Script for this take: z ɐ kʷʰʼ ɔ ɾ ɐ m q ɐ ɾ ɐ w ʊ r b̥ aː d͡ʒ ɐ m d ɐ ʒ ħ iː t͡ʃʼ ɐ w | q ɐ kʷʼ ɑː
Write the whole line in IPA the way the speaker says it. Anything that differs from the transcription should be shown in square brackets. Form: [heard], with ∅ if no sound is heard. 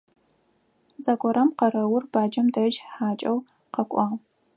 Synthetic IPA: z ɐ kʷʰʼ ɔ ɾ ɐ m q ɐ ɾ ɐ w ʊ r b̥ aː d͡ʒ ɐ m d ɐ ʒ ħ [aː] t͡ʃʼ ɐ w | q ɐ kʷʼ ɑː